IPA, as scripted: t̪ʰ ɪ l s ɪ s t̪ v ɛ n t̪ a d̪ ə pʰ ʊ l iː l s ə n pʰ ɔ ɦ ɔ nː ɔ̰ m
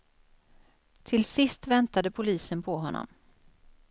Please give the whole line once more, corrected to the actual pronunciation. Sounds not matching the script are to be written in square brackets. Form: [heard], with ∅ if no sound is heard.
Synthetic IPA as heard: t̪ʰ ɪ l s ɪ s t̪ v ɛ n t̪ a d̪ ə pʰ ʊ l iː [∅] s ə n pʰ ɔ ɦ ɔ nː ɔ̰ m